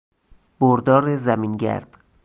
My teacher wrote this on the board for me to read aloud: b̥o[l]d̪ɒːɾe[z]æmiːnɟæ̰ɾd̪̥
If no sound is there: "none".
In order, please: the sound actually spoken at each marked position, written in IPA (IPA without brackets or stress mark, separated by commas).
ɾ, z